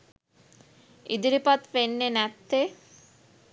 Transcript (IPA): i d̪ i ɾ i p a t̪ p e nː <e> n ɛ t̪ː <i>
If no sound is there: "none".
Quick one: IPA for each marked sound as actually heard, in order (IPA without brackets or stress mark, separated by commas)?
e, e